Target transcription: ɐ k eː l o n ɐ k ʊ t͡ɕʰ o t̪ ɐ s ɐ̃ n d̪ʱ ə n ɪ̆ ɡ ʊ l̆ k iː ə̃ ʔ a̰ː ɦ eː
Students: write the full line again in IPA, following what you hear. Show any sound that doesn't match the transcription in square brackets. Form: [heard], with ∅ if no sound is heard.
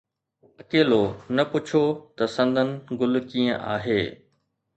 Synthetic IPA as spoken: ɐ k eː l o n ɐ [p] ʊ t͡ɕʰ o t̪ ɐ s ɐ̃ n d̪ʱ ə n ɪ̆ ɡ ʊ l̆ k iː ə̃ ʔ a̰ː ɦ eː